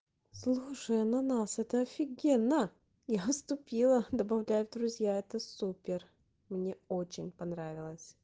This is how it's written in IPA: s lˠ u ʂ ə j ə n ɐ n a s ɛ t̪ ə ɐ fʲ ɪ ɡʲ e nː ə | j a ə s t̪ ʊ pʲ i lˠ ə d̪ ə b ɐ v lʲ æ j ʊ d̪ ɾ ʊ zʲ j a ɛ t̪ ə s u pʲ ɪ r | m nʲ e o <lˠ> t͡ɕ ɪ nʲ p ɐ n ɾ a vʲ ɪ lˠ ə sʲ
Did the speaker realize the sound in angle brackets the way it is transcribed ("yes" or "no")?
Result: no